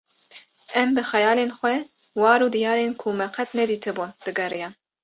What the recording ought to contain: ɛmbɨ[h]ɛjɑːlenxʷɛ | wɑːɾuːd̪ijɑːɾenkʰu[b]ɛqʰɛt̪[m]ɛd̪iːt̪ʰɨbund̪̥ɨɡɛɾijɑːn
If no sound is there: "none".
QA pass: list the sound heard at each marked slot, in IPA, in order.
x, m, n

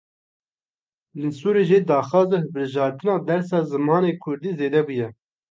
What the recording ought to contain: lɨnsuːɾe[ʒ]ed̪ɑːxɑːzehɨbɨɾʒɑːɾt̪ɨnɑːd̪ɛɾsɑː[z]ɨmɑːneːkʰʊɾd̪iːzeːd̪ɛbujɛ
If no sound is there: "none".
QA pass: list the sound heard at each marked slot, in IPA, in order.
ʒ, z

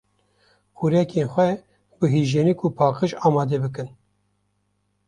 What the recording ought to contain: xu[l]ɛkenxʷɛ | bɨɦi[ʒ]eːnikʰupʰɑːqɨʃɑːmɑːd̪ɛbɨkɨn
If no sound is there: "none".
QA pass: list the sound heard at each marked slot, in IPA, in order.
ɾ, ʒ

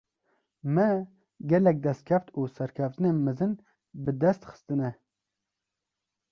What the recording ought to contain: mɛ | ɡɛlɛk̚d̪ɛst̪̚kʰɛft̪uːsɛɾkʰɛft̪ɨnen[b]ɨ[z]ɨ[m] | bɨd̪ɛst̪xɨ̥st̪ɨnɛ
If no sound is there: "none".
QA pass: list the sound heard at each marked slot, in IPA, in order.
m, z, n

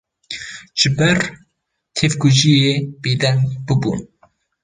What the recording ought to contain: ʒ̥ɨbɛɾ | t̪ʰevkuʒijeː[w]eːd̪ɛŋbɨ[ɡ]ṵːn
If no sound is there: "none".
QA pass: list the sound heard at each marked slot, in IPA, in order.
b, b

